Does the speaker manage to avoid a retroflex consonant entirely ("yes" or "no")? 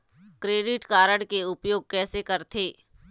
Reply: no